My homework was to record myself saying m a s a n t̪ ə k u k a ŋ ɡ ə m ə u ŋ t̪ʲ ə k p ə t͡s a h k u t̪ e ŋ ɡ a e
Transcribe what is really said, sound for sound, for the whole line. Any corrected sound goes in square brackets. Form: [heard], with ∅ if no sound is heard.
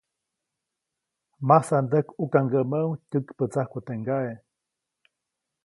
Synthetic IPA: m a s a n [d̪] ə k u k a ŋ ɡ ə m ə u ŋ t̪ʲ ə k p ə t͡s a h k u t̪ e ŋ ɡ a e